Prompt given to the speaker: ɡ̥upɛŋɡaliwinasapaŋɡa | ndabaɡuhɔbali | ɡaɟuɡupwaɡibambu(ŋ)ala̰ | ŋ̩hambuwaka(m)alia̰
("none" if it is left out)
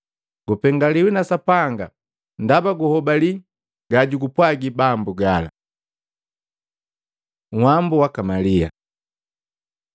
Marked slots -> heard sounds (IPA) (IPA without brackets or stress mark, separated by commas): ɡ, m